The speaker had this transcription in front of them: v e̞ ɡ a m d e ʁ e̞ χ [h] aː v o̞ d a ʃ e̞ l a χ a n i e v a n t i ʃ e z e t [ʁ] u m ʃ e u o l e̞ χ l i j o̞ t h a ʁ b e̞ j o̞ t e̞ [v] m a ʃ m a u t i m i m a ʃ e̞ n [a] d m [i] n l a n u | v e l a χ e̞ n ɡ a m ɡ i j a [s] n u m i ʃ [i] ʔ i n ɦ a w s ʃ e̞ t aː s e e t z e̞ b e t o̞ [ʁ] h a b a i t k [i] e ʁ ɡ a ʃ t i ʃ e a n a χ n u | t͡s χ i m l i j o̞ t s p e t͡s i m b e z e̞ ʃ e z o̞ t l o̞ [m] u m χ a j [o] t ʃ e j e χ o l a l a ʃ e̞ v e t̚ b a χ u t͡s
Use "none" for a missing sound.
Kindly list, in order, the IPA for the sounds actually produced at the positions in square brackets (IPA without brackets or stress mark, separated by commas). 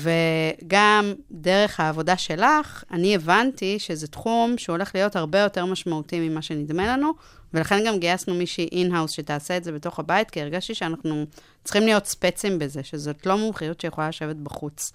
h, χ, ʁ, i, e, s, i, χ, i, m, u